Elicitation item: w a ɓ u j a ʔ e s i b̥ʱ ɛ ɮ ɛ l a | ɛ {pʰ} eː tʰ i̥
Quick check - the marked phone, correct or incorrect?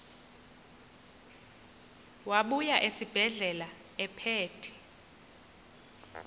correct